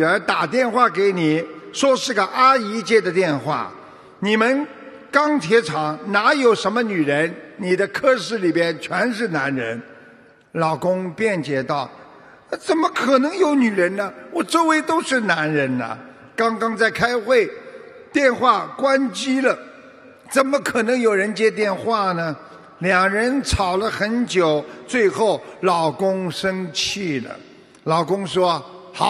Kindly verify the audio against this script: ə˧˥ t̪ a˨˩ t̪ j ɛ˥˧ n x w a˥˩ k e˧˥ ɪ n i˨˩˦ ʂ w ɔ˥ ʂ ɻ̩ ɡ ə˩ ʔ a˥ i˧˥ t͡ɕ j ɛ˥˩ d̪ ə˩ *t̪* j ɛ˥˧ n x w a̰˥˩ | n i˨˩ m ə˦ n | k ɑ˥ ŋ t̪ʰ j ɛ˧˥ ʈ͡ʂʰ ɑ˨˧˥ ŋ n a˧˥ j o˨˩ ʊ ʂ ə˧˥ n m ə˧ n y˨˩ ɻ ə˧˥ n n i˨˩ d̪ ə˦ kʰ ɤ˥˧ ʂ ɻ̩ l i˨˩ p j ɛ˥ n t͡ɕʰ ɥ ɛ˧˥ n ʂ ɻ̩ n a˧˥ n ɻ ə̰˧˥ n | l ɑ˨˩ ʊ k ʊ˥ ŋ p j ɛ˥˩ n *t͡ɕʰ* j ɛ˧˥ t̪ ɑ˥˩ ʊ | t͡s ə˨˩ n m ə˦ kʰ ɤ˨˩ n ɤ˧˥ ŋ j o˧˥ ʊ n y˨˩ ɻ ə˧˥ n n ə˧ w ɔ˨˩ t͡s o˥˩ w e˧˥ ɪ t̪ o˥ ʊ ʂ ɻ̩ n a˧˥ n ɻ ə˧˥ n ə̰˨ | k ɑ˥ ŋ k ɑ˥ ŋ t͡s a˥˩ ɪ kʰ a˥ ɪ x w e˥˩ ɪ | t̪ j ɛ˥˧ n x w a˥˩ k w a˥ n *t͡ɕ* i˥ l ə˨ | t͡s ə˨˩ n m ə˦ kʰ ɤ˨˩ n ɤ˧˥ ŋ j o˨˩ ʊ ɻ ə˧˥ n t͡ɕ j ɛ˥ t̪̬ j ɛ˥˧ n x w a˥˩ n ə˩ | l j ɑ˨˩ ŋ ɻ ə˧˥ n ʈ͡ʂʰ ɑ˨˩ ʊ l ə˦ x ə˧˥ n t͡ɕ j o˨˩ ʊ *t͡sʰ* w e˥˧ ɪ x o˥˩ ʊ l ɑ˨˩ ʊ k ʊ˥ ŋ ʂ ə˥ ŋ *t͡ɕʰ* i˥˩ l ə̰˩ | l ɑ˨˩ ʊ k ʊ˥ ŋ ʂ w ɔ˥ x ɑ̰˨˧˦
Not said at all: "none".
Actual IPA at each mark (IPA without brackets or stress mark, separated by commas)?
t̪, t͡ɕ, t͡ɕ, t͡s, t͡ɕʰ